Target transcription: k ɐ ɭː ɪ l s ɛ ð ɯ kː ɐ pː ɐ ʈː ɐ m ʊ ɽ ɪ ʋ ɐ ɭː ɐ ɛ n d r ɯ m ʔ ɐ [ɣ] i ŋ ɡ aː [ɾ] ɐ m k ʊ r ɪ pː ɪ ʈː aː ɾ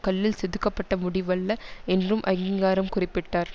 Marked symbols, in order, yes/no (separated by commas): yes, yes